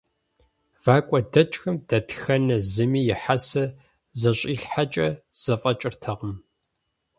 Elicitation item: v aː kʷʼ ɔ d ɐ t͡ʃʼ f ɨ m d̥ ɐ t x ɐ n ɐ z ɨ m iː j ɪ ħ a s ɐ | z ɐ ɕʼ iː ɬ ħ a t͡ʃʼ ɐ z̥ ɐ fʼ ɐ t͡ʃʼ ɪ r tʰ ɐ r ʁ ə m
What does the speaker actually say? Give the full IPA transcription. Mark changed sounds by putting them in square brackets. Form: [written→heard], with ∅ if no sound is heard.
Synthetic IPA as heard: v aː kʷʼ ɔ d ɐ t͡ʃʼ [f→x] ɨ m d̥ ɐ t x ɐ n ɐ z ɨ m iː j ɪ ħ a s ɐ | z ɐ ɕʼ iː ɬ ħ a t͡ʃʼ ɐ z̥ ɐ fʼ ɐ t͡ʃʼ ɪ r tʰ ɐ [r→∅] ʁ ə m